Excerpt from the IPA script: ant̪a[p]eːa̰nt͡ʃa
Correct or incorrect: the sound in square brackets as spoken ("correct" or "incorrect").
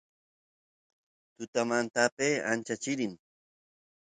correct